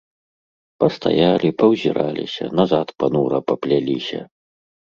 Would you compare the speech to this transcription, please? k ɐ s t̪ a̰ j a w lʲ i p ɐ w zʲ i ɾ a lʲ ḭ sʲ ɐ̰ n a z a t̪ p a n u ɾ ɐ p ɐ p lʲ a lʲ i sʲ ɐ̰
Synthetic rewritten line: p ɐ s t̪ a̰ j a lʲ i p ɐ w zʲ i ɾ a lʲ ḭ sʲ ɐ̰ n a z a t̪ p a n u ɾ ɐ p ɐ p lʲ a lʲ i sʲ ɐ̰